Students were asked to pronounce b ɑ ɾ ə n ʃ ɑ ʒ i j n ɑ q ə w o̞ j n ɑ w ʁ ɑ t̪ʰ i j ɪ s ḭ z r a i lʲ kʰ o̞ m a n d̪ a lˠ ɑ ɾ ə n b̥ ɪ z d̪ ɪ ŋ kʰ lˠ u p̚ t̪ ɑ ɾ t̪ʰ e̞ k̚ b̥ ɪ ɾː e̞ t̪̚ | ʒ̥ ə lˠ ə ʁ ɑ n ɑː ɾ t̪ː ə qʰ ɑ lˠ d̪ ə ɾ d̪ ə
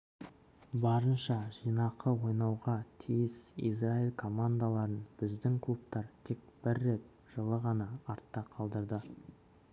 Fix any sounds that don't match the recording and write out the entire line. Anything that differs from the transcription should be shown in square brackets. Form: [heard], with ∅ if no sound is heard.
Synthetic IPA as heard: b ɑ ɾ ə n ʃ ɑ ʒ i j n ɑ q ə w o̞ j n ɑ w ʁ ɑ t̪ʰ i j ɪ s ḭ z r a i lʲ kʰ o̞ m a n d̪ a lˠ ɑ ɾ ə n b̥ ɪ z d̪ ɪ ŋ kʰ lˠ u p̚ t̪ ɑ ɾ t̪ʰ e̞ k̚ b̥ ɪ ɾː e̞ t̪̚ | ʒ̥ ə lˠ ə ʁ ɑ n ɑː ɾ t̪ː [ɑ] qʰ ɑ lˠ d̪ ə ɾ d̪ ə